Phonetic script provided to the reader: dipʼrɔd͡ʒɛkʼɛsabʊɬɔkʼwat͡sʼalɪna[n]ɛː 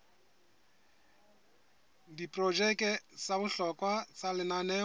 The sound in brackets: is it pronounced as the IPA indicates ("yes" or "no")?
yes